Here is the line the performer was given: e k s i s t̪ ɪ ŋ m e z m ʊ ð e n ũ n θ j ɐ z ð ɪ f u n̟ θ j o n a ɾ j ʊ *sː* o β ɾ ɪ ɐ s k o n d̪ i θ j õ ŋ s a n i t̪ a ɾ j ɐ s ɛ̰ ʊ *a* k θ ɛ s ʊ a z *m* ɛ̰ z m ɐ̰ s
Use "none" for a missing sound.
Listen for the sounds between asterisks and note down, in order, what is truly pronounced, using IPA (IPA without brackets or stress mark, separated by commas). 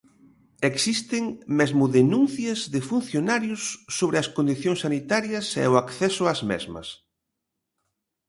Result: sː, a, m